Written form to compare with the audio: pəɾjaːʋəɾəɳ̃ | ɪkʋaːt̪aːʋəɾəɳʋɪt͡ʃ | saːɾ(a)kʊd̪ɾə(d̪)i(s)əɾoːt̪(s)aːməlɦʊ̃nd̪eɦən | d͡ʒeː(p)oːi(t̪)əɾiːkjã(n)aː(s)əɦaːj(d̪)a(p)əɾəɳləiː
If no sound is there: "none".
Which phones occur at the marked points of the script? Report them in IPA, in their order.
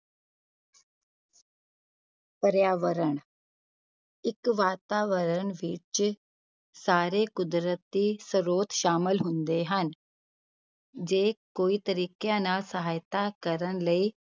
e, t̪, s, ʃ, k, t̪, n, s, t̪, k

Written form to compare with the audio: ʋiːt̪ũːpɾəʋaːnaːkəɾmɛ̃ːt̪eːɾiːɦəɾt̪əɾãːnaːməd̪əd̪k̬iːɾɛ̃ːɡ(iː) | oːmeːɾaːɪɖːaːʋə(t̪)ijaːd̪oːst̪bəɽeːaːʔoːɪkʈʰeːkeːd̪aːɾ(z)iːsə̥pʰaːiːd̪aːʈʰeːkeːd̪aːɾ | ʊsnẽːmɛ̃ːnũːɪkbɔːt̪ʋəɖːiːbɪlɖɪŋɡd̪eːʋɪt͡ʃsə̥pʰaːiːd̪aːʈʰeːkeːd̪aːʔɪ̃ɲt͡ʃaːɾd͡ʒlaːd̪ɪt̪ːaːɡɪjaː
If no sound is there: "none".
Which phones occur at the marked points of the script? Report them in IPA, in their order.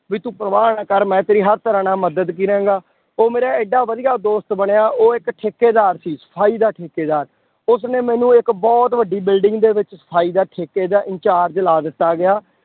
aː, d̪, s

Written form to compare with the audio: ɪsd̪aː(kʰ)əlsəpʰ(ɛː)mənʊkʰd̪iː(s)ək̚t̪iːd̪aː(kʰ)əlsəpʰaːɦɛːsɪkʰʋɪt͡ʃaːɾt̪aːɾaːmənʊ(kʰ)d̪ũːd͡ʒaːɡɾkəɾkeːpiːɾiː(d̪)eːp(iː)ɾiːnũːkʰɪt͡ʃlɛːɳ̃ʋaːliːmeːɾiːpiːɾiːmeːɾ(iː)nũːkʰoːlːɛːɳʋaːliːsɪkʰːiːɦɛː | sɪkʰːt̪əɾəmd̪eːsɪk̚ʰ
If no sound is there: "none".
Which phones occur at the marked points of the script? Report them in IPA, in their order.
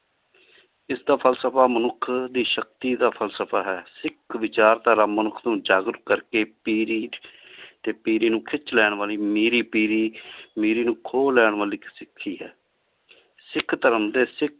pʰ, aː, ʃ, pʰ, kʰ, t̪, iː, iː

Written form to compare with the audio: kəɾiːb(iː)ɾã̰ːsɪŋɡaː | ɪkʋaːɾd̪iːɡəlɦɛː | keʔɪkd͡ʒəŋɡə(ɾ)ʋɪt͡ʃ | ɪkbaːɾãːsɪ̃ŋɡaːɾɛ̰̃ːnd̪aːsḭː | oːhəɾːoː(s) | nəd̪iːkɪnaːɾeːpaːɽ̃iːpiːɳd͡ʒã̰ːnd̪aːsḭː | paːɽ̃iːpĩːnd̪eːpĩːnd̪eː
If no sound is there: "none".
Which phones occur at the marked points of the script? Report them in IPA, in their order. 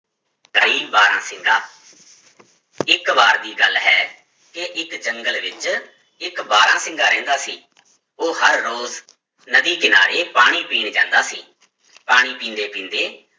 aː, l, z

